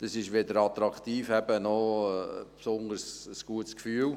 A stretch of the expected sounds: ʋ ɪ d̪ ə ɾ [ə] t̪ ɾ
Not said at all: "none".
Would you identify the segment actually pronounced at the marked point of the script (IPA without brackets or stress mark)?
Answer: ɑ